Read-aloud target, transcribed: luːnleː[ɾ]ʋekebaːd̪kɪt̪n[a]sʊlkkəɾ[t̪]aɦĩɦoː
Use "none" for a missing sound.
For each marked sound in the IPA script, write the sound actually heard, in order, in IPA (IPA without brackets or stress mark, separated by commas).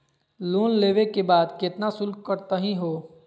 none, a, t̪